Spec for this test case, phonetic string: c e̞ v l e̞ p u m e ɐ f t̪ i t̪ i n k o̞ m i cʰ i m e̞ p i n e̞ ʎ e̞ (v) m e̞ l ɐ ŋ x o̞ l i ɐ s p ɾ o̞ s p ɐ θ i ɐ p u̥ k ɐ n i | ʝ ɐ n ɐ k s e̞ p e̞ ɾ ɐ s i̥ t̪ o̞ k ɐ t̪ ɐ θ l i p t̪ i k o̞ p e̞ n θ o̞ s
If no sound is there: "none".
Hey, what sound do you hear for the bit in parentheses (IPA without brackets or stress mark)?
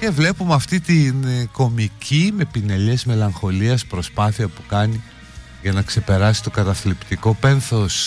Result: z